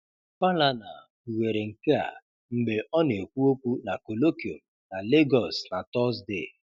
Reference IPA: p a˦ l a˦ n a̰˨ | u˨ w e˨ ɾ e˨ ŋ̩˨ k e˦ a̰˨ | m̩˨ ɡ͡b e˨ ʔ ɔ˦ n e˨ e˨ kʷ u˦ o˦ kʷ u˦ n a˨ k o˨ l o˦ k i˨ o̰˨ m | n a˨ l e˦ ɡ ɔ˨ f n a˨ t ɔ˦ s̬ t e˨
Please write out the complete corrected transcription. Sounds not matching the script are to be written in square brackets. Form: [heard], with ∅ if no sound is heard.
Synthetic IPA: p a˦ l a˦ n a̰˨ | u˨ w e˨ ɾ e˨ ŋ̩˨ k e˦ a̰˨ | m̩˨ ɡ͡b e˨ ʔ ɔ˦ n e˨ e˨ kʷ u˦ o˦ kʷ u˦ n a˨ k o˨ l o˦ k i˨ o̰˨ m | n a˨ l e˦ ɡ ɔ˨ [s] n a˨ t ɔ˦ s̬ [d] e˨